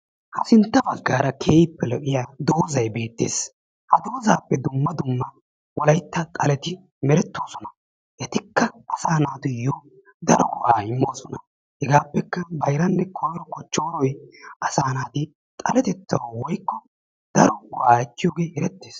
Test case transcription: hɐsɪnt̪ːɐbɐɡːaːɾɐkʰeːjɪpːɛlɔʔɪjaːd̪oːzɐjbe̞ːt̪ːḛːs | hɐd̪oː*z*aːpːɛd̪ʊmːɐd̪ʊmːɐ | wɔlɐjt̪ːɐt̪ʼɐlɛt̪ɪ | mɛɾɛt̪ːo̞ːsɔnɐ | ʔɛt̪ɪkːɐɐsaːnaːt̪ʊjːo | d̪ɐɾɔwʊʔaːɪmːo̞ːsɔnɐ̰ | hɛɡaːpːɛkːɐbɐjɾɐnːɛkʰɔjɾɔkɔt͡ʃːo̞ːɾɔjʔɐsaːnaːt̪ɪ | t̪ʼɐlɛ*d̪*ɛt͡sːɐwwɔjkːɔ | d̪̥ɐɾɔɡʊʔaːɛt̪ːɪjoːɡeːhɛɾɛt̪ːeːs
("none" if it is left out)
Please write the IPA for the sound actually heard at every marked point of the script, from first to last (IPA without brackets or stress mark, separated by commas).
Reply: z, t̪